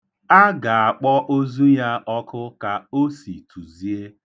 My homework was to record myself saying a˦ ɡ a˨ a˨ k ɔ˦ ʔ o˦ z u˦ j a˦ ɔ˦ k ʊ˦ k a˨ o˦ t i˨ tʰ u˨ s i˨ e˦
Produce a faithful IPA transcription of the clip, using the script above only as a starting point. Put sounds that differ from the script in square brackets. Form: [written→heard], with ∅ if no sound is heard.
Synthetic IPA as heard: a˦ ɡ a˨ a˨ [k→k͡p] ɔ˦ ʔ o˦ z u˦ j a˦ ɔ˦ k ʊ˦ k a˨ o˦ [t→s] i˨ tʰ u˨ [s→z] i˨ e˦